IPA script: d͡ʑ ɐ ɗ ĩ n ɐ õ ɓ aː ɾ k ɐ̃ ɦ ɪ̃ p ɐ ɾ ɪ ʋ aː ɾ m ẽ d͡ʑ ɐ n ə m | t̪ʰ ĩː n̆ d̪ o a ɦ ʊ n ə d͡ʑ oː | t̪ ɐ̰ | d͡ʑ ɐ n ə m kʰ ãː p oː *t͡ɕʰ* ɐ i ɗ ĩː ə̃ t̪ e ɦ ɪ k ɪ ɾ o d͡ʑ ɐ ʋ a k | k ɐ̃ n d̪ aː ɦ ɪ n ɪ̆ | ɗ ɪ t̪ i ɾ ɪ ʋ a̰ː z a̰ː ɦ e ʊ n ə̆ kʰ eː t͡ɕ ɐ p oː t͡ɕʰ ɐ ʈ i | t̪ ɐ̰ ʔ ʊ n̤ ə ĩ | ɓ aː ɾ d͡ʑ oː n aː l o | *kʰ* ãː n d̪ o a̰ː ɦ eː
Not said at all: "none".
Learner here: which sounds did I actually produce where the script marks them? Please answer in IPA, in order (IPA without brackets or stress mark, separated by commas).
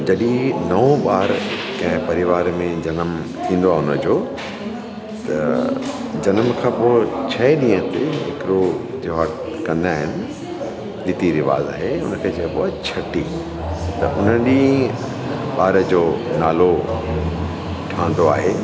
t͡ɕʰ, ʈʰ